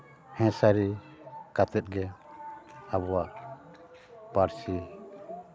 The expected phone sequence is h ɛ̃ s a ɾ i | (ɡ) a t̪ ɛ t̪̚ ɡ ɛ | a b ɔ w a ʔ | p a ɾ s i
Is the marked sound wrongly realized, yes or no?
yes